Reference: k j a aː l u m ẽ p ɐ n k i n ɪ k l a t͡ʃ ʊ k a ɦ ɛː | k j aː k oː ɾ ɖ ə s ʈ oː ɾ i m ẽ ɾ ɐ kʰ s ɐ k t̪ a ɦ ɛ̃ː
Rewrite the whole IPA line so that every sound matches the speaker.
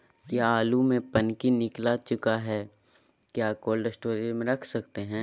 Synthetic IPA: k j a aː l u m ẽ p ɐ n k i n ɪ k l a t͡ʃ ʊ k a ɦ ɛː | k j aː k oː l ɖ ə s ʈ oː ɾ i m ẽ ɾ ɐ kʰ s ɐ k t̪ e ɦ ɛ̃ː